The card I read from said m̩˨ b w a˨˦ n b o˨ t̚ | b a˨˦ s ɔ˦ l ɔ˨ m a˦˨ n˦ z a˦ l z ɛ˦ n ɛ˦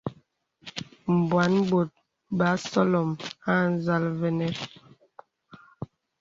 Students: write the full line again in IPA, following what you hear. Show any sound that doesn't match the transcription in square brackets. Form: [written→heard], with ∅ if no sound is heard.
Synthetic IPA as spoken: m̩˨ b w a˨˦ n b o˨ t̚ | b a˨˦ s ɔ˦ l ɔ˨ m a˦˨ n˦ z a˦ l [z→v] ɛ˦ n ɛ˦